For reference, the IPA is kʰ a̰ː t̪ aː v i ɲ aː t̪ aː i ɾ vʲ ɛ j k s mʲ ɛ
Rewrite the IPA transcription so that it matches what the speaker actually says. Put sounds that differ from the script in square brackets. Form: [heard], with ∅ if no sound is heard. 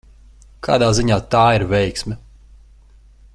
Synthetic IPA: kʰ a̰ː [d̪] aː [z] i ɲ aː t̪ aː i ɾ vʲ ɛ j k s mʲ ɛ